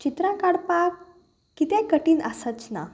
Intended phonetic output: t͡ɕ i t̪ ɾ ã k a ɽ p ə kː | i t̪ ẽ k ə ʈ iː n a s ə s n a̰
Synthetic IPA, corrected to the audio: t͡ɕ i t̪ ɾ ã k a ɽ p a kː | i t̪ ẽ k ə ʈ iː n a s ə t͡s n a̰